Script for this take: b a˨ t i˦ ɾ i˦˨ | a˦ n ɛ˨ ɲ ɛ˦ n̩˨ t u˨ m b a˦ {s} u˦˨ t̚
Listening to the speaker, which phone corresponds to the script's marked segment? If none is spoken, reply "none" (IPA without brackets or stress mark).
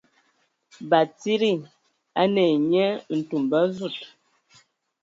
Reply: z